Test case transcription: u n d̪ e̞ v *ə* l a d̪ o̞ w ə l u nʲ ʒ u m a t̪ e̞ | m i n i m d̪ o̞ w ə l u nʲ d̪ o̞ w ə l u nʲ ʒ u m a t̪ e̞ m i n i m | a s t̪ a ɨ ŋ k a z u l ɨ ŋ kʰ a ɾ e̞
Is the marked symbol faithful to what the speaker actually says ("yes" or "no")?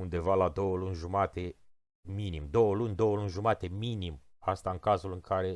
no